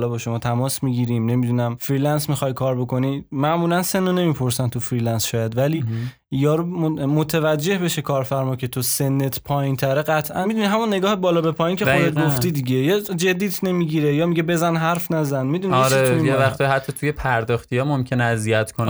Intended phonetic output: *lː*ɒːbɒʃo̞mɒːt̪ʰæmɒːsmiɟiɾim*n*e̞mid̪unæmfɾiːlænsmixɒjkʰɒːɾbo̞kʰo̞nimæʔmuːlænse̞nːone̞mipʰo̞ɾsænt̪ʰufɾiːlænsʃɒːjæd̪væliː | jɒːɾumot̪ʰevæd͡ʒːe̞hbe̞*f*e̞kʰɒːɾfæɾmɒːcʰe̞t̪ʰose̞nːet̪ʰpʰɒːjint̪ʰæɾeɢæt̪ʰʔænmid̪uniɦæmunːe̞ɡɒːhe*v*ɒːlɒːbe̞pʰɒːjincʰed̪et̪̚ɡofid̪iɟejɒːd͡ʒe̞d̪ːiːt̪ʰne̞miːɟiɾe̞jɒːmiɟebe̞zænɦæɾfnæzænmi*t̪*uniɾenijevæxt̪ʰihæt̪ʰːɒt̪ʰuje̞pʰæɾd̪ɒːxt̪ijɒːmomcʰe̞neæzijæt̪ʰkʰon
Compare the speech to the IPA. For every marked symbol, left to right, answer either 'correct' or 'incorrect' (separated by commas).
incorrect, correct, incorrect, incorrect, incorrect